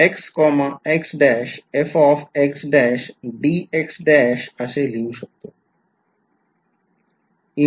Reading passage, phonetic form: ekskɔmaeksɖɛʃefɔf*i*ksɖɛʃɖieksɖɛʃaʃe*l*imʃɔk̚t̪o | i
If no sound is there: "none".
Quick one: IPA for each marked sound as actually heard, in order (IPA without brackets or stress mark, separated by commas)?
e, l